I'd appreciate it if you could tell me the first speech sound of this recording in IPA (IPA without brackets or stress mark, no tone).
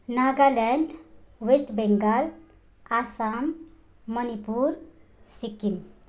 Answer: n